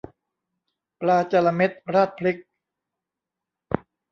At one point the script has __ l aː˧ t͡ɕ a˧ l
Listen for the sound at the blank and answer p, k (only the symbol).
p